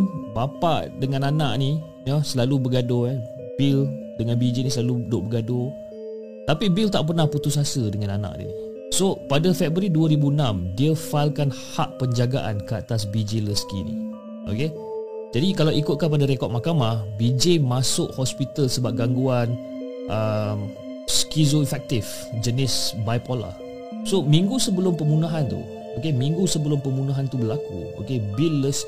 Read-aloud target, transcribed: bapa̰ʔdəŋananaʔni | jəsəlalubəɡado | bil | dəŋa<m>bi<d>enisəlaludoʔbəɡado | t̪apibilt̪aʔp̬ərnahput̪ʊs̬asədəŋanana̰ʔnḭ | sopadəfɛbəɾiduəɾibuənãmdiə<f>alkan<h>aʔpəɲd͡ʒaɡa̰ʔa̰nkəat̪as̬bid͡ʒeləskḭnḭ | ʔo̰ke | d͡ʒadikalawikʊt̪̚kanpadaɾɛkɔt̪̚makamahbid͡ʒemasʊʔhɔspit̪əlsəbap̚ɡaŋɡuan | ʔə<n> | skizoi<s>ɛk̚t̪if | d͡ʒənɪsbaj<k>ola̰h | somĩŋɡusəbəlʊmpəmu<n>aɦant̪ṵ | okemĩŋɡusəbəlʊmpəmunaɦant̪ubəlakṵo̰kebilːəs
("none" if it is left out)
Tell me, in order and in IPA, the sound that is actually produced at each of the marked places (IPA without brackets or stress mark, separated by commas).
n, d͡ʒ, f, h, m, f, p, n